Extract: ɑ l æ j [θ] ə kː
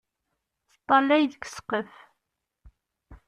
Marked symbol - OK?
no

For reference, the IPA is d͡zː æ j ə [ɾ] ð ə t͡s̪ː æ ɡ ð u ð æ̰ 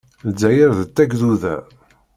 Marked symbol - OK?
yes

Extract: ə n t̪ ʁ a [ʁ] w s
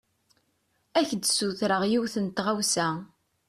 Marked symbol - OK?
no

